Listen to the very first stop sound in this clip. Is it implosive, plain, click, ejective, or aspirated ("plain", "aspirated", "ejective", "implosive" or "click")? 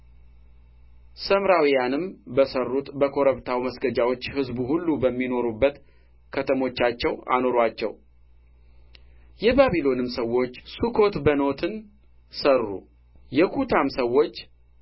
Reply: plain